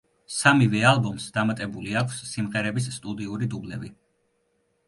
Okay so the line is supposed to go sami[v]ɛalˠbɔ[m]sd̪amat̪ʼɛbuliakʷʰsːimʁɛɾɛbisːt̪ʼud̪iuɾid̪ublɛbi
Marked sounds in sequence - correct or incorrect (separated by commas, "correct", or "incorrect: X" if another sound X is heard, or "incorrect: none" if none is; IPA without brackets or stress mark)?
correct, correct